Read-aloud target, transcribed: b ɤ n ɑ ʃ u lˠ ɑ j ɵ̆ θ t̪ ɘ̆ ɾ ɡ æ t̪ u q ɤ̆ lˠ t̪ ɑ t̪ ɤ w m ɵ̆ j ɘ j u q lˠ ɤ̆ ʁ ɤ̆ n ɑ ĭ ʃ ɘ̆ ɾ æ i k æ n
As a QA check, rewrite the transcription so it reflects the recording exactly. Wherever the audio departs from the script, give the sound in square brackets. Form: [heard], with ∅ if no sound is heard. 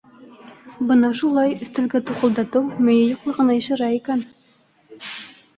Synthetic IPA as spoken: b ɤ n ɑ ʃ u lˠ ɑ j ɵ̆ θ t̪ ɘ̆ [l] ɡ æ t̪ u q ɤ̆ lˠ [d̪] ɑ t̪ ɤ w m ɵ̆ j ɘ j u q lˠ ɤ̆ ʁ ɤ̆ n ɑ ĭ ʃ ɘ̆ ɾ æ i k æ n